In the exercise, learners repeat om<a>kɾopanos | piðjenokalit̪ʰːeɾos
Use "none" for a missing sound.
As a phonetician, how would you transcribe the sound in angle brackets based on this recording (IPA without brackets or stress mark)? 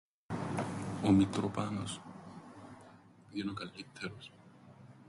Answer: i